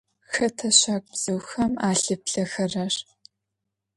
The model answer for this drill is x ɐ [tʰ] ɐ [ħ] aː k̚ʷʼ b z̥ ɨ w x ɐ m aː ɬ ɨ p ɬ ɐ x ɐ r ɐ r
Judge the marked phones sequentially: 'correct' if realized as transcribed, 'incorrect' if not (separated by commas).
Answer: correct, incorrect